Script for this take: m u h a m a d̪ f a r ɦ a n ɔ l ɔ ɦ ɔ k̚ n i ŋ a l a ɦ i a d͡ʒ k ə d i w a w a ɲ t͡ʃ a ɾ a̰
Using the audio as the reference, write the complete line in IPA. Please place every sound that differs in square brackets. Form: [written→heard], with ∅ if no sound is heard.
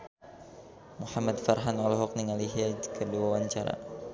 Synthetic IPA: m u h a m a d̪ f a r ɦ a n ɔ l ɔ ɦ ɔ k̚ n i ŋ a l [a→i] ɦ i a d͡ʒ k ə d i w a w a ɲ t͡ʃ a ɾ a̰